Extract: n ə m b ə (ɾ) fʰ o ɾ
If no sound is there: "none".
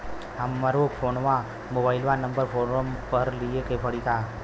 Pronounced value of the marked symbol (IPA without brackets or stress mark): ɾ